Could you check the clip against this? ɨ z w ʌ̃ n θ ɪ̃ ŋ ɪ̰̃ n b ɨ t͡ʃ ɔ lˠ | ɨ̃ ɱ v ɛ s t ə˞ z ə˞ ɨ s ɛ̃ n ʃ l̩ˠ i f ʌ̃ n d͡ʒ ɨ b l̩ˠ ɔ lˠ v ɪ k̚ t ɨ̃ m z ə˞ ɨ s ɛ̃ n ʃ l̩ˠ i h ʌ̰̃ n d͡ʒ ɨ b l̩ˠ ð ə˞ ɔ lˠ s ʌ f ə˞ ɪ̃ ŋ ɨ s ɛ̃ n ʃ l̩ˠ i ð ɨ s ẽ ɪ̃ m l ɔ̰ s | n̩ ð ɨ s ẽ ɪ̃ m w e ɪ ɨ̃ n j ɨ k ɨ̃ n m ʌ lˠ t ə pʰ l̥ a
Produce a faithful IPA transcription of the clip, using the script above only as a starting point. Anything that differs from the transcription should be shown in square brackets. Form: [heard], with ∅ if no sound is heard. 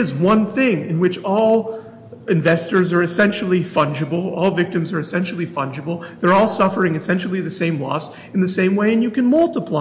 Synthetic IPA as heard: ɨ z w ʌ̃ n θ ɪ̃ ŋ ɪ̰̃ n [w] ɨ t͡ʃ ɔ lˠ | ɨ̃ ɱ v ɛ s t ə˞ z ə˞ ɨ s ɛ̃ n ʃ l̩ˠ i f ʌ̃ n d͡ʒ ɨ b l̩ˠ ɔ lˠ v ɪ k̚ t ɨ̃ m z ə˞ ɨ s ɛ̃ n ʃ l̩ˠ i [f] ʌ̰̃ n d͡ʒ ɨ b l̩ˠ ð ə˞ ɔ lˠ s ʌ f ə˞ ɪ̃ ŋ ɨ s ɛ̃ n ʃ l̩ˠ i ð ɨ s ẽ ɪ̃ m l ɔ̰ s | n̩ ð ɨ s ẽ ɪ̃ m w e ɪ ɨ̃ n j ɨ k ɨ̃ n m ʌ lˠ t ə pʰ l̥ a